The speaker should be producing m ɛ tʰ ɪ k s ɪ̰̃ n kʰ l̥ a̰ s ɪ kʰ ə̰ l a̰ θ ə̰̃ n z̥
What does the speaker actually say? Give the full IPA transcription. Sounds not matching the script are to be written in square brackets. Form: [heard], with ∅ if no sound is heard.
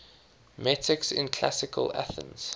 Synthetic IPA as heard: m ɛ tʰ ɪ k s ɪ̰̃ n kʰ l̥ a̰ s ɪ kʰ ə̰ l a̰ θ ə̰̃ n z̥

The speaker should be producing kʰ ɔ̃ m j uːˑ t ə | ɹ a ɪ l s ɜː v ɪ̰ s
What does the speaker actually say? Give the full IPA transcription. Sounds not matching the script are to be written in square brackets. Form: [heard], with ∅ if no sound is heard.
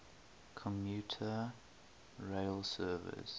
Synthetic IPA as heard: kʰ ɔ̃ m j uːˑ [tʰ] ə | ɹ [e] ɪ l s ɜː v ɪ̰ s

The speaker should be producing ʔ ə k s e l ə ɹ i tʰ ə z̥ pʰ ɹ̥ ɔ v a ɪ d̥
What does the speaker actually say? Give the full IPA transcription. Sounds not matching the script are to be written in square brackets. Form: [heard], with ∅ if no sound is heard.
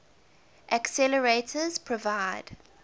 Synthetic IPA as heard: ʔ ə k s [ɛ] l ə ɹ [e] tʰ ə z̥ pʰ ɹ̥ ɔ v a ɪ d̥

